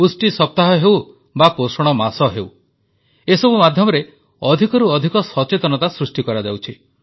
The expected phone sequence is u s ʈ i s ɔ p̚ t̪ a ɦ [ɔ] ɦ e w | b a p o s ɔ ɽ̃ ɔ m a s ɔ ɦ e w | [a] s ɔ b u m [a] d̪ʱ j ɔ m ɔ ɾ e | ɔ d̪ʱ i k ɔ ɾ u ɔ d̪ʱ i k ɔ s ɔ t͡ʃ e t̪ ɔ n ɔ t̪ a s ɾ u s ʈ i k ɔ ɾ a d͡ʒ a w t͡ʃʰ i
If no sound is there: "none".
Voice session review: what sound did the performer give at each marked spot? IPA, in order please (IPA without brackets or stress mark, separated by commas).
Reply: ɔ, e, a